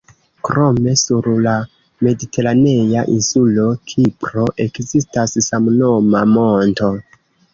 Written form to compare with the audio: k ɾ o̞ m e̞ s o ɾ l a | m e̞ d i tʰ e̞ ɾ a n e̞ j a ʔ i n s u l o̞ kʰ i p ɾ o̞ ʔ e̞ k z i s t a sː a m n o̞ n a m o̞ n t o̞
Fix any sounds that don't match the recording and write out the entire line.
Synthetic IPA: k ɾ o̞ m e̞ s u ɾ l a | m e̞ d i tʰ e̞ ɾ a n e̞ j a ʔ i n s u l o̞ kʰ i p ɾ o̞ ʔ e̞ k z i s t a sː a m n o̞ m a m o̞ n t o̞